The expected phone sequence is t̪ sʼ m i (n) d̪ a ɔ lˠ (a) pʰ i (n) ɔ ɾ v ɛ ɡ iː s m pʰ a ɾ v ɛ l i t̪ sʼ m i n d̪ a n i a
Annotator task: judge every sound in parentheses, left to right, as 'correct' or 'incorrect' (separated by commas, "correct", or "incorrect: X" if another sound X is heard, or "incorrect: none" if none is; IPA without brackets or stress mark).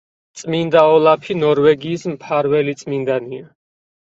correct, correct, correct